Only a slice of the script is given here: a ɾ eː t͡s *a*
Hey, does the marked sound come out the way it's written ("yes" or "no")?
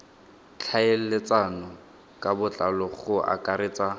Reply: yes